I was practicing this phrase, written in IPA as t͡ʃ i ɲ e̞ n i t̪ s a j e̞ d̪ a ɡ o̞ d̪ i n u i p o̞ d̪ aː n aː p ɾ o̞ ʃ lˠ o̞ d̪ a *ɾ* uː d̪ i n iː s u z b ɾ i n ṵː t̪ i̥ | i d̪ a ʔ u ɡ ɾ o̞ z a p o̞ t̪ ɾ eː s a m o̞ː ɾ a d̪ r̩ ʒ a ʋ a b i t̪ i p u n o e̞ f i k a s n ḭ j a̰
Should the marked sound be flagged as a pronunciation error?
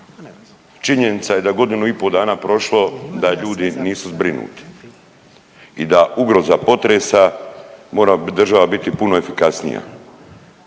yes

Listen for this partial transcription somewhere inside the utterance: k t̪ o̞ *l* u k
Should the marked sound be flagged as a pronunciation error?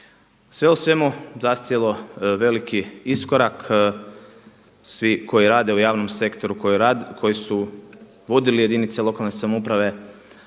yes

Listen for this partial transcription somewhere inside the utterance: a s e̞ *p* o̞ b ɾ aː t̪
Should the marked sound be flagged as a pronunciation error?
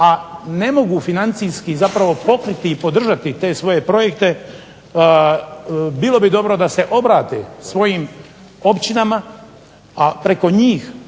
yes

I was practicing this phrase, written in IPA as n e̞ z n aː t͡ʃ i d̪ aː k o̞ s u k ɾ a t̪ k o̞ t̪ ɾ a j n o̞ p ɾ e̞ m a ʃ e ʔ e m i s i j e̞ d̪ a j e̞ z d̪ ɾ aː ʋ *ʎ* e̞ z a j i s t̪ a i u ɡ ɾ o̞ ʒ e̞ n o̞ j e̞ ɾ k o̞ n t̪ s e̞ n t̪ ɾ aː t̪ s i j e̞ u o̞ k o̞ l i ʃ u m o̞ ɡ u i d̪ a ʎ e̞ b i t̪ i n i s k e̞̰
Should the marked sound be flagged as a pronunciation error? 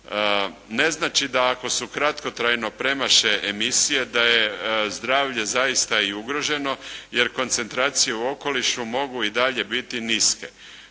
no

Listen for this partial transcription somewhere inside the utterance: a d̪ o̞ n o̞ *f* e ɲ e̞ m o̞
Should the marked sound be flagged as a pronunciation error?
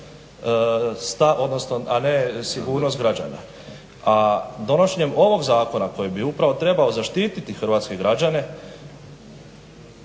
yes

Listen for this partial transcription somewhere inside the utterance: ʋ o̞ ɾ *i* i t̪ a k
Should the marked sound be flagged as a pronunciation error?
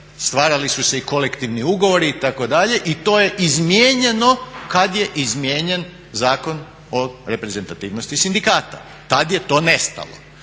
no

